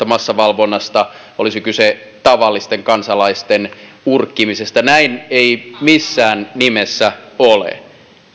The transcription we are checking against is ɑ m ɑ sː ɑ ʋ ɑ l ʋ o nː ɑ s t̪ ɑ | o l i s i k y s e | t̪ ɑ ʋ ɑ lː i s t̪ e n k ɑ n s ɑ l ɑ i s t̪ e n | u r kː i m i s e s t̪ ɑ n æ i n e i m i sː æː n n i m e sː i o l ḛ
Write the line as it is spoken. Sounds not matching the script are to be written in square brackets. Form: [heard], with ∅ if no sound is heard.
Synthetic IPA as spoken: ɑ m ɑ sː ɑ ʋ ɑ l ʋ o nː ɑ s t̪ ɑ | o l i s i k y s e | t̪ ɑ ʋ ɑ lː i s t̪ e [ŋ] k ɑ n s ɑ l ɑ i s t̪ e n | u r kː i m i s e s t̪ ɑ n æ i n e i m i sː æː n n i m e sː [æ] o l ḛ